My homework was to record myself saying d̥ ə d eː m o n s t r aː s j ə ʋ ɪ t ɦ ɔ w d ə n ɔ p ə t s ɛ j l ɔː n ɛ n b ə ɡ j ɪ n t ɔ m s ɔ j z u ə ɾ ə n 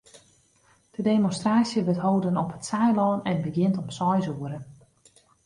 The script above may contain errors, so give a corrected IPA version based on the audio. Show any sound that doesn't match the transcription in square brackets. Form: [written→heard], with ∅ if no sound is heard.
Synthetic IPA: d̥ ə d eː m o n s t r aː s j ə ʋ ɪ t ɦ [ɔ→o] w d ə n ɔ p ə t s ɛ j l ɔː n ɛ n b ə ɡ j ɪ n t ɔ m s ɔ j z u ə ɾ ə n